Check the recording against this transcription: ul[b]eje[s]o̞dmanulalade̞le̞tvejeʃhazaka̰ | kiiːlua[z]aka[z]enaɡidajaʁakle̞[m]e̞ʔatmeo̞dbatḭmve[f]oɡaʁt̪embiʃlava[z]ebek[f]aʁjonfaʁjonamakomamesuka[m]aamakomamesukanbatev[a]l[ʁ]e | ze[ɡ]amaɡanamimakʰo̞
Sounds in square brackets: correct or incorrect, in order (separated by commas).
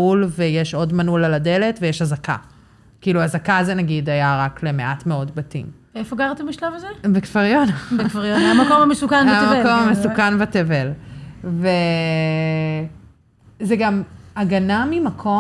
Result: incorrect, incorrect, correct, correct, correct, correct, correct, correct, incorrect, incorrect, incorrect, correct